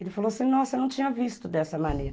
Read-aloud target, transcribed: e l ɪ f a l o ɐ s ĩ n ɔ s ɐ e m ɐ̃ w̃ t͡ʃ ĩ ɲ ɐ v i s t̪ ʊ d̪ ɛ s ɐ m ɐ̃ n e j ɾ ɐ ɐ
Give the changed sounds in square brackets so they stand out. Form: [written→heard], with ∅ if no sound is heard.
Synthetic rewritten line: e l ɪ f a l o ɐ s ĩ n ɔ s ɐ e [m→n] ɐ̃ w̃ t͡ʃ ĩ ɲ ɐ v i s t̪ ʊ d̪ ɛ s ɐ m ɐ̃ n e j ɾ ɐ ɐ